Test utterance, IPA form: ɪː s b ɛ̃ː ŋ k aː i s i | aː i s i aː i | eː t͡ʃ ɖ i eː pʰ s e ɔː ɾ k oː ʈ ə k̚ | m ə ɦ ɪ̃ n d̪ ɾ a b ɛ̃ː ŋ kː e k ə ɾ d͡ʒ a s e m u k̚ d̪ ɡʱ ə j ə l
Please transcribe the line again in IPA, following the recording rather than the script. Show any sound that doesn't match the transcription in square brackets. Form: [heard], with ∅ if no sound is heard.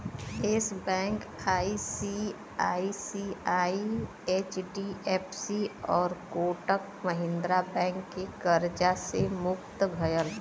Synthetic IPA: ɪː s b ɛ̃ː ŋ k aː i s i | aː i s i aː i | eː t͡ʃ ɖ i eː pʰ s [i] ɔː ɾ k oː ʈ ə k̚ | m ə ɦ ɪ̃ n d̪ ɾ a b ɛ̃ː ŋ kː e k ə ɾ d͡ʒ a s e m [ʊ] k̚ [t̪] ɡʱ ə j ə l